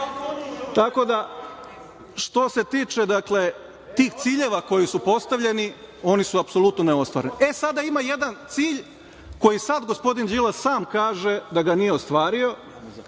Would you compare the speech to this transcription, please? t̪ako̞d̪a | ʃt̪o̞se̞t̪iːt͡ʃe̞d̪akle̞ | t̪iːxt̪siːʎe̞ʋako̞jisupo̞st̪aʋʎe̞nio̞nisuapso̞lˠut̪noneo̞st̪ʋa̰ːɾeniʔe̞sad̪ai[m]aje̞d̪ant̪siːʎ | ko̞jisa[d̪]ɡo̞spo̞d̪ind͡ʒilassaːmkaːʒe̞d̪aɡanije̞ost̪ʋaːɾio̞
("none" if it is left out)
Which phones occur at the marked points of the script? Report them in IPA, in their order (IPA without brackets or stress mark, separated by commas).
m, d̪